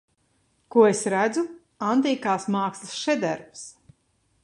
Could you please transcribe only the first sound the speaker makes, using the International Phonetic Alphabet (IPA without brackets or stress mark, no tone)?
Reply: k